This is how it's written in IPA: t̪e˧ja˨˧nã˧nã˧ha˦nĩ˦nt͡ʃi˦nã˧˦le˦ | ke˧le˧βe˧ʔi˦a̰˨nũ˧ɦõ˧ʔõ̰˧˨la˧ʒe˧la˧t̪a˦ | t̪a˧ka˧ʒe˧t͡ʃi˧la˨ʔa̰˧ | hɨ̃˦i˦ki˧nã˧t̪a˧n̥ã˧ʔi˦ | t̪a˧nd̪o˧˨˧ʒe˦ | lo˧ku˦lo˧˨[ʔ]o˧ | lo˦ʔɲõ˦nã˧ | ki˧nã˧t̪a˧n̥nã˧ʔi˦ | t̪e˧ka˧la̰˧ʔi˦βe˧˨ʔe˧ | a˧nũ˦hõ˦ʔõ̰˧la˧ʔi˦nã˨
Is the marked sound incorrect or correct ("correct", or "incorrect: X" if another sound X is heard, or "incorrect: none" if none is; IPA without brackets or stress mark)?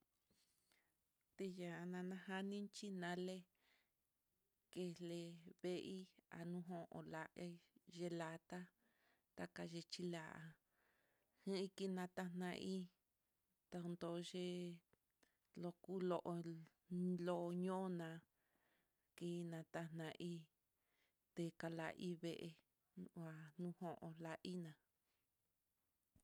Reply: correct